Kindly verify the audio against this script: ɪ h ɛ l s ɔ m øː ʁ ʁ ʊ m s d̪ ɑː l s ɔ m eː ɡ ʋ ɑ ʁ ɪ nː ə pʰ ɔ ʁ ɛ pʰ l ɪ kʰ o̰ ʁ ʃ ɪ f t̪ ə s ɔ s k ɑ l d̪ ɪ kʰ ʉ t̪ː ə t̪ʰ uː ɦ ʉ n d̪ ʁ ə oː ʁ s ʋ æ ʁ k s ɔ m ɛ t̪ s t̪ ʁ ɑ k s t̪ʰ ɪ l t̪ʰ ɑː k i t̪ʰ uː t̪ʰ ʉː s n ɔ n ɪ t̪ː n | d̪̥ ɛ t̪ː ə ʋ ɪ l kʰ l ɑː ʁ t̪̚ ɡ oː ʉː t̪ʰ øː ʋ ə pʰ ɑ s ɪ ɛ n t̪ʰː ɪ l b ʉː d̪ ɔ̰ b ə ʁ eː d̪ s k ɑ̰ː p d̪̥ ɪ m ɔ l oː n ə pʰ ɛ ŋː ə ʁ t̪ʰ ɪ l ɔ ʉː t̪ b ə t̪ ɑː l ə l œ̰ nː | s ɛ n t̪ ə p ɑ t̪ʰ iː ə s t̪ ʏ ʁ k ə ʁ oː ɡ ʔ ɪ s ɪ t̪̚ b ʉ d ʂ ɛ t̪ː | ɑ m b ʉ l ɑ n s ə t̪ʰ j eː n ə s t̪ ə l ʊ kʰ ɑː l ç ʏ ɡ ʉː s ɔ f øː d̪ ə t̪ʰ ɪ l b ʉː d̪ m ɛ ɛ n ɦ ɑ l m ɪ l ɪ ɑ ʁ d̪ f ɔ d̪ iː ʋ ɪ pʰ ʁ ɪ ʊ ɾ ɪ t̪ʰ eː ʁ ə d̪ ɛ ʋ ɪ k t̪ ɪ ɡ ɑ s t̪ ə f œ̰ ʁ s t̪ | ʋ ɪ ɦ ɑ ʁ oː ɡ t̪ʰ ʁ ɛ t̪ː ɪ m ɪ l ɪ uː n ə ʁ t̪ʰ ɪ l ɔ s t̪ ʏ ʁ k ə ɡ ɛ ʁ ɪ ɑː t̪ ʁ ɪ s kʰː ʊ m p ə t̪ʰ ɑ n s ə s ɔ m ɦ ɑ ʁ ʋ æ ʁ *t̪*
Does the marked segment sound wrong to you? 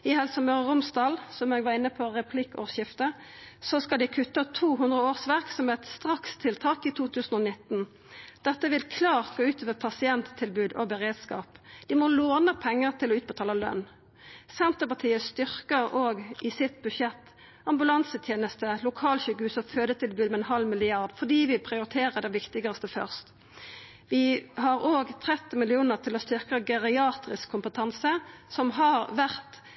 no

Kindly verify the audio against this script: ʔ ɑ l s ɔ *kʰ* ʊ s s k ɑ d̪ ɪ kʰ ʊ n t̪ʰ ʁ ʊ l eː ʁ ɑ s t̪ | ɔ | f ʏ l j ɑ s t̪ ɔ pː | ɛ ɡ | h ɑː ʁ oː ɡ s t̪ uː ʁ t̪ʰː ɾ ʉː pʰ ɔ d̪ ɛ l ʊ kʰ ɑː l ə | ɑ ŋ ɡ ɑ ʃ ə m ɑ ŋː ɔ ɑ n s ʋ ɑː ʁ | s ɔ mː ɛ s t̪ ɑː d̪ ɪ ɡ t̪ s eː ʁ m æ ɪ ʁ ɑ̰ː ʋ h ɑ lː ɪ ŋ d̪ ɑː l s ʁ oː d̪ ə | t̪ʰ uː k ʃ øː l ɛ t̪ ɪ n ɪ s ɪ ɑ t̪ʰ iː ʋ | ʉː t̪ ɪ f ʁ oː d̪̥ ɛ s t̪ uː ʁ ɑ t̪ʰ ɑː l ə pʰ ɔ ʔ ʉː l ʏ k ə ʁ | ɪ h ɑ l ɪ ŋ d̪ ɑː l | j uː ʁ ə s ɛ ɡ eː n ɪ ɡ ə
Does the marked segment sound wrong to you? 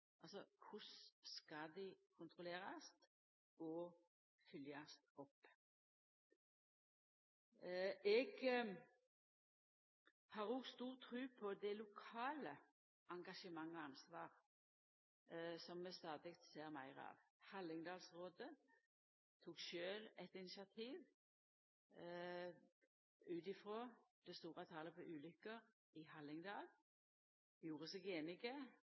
no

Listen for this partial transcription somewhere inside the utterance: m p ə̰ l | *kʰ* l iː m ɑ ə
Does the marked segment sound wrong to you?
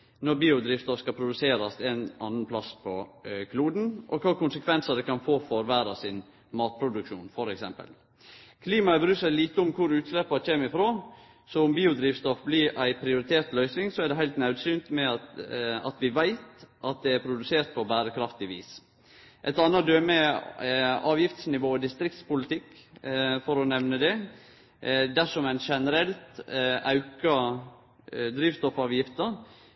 no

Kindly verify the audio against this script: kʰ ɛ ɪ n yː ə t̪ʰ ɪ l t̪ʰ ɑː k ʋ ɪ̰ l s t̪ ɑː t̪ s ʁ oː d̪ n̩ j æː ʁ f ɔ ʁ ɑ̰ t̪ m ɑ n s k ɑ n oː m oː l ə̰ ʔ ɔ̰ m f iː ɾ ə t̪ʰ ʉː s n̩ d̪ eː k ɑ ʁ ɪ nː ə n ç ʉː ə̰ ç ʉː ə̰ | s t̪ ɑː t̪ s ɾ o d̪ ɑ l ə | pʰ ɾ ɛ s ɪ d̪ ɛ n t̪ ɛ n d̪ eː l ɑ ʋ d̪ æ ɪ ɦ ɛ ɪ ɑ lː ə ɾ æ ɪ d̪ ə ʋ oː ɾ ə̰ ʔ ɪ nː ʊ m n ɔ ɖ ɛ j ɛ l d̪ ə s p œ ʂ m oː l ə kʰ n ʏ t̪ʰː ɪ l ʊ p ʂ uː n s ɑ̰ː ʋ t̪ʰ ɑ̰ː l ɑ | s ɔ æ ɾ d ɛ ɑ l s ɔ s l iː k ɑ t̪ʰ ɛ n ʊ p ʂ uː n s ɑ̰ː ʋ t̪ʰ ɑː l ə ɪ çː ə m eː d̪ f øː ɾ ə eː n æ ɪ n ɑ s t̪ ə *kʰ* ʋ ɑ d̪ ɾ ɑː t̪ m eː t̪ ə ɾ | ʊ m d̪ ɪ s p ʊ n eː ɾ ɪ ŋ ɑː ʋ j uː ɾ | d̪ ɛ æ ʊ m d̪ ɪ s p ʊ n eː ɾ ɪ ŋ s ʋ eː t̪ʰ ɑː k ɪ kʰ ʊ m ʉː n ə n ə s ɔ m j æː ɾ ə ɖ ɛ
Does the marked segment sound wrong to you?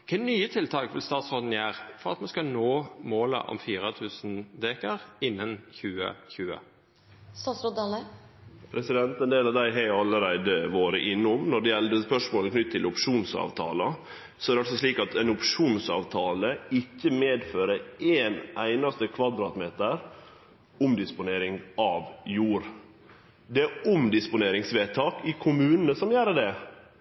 no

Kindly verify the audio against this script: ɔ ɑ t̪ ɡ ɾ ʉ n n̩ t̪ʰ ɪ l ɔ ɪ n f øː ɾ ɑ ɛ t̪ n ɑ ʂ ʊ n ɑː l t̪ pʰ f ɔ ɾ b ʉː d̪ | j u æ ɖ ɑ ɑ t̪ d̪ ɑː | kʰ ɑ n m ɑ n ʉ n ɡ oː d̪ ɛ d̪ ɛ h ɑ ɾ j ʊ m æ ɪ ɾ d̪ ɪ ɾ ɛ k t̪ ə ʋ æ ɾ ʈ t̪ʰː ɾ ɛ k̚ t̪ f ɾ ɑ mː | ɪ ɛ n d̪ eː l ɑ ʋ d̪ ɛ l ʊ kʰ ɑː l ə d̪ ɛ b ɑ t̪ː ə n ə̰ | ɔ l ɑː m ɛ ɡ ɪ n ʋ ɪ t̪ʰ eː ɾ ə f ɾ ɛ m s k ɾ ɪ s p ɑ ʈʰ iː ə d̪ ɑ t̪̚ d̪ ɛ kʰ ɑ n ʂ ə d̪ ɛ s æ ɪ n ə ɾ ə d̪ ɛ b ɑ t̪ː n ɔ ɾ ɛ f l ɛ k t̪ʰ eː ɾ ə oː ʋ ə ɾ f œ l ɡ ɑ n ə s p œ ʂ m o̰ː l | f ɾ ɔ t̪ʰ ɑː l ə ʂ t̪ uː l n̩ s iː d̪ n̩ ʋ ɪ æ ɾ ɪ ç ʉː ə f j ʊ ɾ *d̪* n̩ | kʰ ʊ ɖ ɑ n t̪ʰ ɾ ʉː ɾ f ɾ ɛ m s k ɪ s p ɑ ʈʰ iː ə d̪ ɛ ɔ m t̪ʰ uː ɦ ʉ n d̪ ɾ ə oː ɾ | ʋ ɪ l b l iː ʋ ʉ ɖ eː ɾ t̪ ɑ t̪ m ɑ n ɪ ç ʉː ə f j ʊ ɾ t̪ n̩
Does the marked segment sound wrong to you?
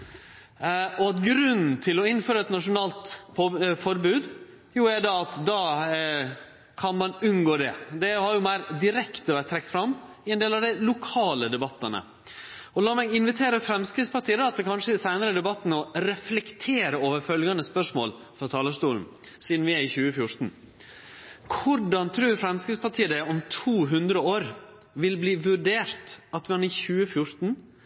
yes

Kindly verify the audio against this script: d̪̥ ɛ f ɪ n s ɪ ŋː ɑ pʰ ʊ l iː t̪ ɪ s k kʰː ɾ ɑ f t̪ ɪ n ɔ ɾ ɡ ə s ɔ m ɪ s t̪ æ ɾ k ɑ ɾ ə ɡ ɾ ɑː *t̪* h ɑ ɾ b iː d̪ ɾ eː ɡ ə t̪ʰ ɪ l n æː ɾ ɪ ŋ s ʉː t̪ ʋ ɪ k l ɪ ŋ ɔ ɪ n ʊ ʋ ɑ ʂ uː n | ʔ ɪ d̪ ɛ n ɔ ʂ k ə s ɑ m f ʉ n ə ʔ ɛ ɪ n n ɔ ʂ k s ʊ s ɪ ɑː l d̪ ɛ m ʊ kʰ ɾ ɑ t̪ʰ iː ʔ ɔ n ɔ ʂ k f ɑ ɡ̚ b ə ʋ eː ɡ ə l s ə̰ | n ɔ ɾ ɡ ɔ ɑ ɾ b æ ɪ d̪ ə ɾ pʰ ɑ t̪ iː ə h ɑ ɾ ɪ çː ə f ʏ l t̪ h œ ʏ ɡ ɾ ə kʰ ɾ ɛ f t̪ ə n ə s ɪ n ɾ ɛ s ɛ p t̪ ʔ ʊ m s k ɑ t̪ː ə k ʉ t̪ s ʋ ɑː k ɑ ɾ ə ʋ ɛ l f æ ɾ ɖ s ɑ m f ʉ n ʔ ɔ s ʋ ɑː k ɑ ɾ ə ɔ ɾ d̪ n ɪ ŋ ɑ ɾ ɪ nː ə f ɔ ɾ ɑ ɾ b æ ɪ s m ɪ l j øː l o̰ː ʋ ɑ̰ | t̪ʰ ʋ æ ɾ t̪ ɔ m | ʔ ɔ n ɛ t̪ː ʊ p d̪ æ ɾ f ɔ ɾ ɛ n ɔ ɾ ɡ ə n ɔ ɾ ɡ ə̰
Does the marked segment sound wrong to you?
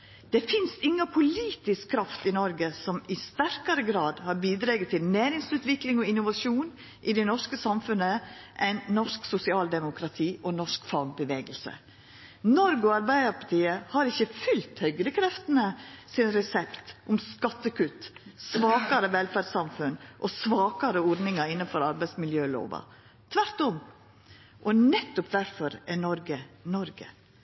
yes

